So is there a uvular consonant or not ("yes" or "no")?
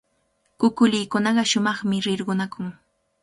yes